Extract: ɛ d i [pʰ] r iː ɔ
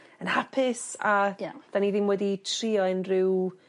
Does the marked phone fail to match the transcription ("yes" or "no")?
yes